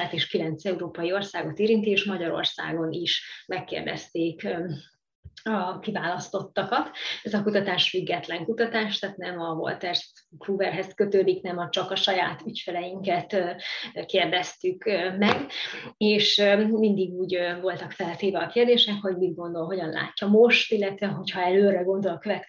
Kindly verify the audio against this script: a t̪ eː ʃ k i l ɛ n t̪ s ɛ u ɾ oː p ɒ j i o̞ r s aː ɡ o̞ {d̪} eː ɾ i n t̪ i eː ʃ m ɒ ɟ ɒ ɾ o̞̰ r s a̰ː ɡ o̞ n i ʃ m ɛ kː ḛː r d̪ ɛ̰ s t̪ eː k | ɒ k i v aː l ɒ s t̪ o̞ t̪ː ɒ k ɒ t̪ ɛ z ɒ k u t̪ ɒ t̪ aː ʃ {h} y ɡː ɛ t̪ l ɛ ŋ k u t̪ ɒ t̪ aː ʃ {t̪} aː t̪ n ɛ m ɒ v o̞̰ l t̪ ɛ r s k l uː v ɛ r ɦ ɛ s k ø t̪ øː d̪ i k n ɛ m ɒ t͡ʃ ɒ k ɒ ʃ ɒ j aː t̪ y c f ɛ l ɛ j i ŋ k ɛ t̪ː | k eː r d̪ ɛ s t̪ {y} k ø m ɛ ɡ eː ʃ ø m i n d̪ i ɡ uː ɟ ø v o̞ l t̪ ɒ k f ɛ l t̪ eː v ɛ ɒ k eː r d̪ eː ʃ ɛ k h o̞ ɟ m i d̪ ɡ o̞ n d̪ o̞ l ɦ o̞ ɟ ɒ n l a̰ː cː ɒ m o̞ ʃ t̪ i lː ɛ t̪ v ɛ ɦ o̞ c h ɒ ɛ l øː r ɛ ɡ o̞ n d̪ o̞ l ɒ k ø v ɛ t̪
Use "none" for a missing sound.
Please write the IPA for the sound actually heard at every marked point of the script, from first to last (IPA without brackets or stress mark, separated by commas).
t̪, f, t̪, y